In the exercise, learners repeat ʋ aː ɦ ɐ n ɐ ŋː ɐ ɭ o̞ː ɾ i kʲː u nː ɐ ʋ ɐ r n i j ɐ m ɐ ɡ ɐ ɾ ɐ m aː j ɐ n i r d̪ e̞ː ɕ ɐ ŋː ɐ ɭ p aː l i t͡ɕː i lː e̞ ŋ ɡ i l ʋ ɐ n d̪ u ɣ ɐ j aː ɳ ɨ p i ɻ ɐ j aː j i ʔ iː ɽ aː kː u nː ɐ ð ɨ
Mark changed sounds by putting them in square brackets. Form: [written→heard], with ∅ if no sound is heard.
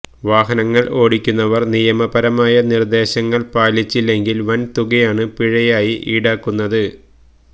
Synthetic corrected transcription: ʋ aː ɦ ɐ n ɐ ŋː ɐ ɭ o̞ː [ɾ→ɽ] i kʲː u nː ɐ ʋ ɐ r n i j ɐ m ɐ [ɡ→b] ɐ ɾ ɐ m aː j ɐ n i r d̪ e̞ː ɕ ɐ ŋː ɐ ɭ p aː l i t͡ɕː i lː e̞ ŋ ɡ i l ʋ ɐ n [d̪→t̪] u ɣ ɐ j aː ɳ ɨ p i ɻ ɐ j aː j i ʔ iː ɽ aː kː u nː ɐ ð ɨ